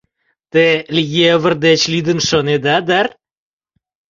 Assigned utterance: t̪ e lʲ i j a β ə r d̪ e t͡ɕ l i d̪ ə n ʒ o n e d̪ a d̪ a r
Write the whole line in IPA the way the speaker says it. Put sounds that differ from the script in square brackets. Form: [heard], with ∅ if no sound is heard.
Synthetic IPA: t̪ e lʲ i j [e] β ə r d̪ e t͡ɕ l i d̪ ə n [ʃ] o n e d̪ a d̪ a r